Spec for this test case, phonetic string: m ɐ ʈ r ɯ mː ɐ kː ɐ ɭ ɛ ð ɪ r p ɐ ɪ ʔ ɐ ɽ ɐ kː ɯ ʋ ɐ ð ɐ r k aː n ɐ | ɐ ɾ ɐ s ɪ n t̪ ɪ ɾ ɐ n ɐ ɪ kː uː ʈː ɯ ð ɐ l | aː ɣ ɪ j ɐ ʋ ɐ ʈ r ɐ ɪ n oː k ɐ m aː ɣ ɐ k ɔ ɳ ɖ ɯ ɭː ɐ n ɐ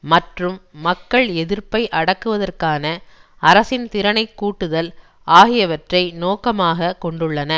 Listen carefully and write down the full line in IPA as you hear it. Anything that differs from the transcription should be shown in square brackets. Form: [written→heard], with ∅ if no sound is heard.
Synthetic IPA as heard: m ɐ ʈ r ɯ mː ɐ kː ɐ ɭ ɛ ð ɪ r p ɐ ɪ ʔ ɐ ɽ ɐ kː ɯ ʋ ɐ ð ɐ r k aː n ɐ | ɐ ɾ ɐ s ɪ n t̪ ɪ ɾ ɐ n ɐ ɪ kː uː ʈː ɯ ð ɐ l | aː ɣ ɪ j ɐ ʋ ɐ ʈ r ɐ ɪ n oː k ɐ m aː ɣ ɐ k ɔ ɳ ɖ ɯ ɭː ɐ n ɐ

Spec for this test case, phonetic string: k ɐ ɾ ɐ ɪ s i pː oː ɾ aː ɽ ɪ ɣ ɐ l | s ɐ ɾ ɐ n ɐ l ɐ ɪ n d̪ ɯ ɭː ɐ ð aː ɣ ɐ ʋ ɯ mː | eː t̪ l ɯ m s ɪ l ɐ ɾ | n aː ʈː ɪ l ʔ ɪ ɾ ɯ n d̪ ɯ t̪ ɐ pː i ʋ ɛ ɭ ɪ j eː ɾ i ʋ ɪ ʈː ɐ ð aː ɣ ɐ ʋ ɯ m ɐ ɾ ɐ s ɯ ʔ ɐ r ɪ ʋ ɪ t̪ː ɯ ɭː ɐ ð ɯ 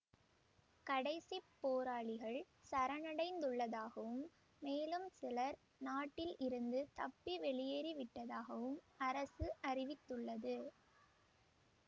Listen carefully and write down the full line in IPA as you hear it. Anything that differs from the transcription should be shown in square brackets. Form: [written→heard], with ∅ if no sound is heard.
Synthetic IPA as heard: k ɐ [ɾ→ɽ] ɐ ɪ s i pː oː ɾ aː [ɽ→ɭ] ɪ ɣ ɐ [l→ɭ] | s ɐ ɾ ɐ n ɐ [l→ɽ] ɐ ɪ n d̪ ɯ ɭː ɐ ð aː ɣ ɐ ʋ ɯ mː | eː [t̪→∅] l ɯ m s ɪ l ɐ ɾ | n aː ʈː ɪ l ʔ ɪ ɾ ɯ n d̪ ɯ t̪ ɐ pː i ʋ ɛ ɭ ɪ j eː ɾ i ʋ ɪ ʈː ɐ ð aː ɣ ɐ ʋ ɯ m ɐ ɾ ɐ s ɯ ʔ ɐ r ɪ ʋ ɪ t̪ː ɯ ɭː ɐ ð ɯ

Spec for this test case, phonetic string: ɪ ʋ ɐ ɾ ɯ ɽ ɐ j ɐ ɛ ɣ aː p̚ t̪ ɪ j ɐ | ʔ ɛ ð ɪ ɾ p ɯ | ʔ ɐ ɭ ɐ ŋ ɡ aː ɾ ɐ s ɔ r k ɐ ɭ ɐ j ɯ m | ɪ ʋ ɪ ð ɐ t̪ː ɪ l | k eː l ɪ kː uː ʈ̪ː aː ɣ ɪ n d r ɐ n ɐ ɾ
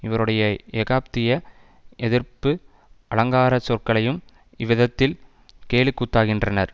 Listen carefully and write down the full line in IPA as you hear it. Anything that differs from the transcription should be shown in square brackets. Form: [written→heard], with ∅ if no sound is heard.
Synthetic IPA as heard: ɪ ʋ ɐ ɾ ɯ ɽ ɐ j ɐ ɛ ɣ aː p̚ t̪ ɪ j ɐ | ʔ ɛ ð ɪ ɾ p ɯ | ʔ ɐ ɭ ɐ ŋ ɡ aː ɾ ɐ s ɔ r k ɐ ɭ ɐ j ɯ m | ɪ ʋ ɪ ð ɐ t̪ː ɪ l | k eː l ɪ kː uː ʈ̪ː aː ɣ ɪ n d r ɐ n ɐ ɾ

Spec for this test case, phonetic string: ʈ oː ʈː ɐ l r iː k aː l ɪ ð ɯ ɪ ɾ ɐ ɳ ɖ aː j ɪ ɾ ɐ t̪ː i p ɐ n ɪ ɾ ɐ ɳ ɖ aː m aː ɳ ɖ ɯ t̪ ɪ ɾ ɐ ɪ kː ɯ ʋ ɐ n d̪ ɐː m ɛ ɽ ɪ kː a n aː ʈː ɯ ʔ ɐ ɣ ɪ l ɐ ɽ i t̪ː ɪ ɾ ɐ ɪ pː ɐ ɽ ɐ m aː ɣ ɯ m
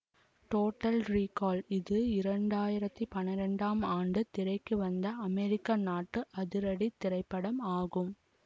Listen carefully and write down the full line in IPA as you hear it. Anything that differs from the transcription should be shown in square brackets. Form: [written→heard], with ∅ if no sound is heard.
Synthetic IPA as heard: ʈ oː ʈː ɐ l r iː k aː l ɪ ð ɯ ɪ ɾ ɐ ɳ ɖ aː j ɪ ɾ ɐ t̪ː i p ɐ n ɪ ɾ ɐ ɳ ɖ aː m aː ɳ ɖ ɯ t̪ ɪ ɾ ɐ ɪ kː ɯ ʋ ɐ n d̪ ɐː m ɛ [ɽ→ɾ] ɪ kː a n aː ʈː ɯ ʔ ɐ [ɣ→ð] ɪ [l→ɾ] ɐ ɽ i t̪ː ɪ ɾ ɐ ɪ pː ɐ ɽ ɐ m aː ɣ ɯ m

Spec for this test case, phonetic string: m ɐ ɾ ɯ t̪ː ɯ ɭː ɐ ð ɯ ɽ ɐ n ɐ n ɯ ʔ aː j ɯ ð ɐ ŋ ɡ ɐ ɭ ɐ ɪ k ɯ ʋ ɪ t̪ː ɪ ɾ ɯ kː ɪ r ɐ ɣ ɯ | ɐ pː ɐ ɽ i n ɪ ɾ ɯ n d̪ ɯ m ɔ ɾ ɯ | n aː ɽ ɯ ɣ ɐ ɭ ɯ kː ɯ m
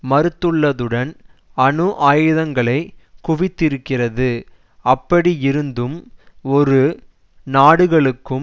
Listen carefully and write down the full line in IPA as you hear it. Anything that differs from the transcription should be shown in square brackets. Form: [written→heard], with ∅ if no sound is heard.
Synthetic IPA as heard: m ɐ ɾ ɯ t̪ː ɯ ɭː ɐ ð ɯ ɽ ɐ n ɐ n ɯ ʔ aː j ɯ ð ɐ ŋ ɡ ɐ ɭ ɐ ɪ k [ɯ→ʊ] ʋ ɪ t̪ː ɪ ɾ ɯ kː ɪ r ɐ [ɣ→ð] ɯ | ɐ pː ɐ ɽ i [n→∅] ɪ ɾ ɯ n d̪ ɯ m ɔ ɾ ɯ | n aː ɽ ɯ ɣ ɐ ɭ ɯ kː ɯ m

